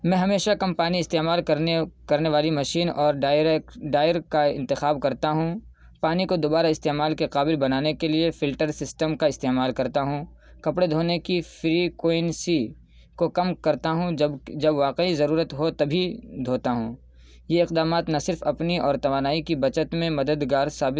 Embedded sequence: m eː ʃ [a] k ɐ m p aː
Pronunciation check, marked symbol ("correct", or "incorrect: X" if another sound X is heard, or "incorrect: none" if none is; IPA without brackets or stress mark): correct